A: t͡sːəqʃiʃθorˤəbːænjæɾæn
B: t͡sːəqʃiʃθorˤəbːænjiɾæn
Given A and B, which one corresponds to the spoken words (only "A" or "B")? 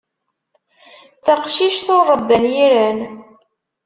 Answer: B